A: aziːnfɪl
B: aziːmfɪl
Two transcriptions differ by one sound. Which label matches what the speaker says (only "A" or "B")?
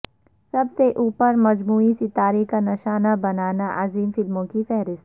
B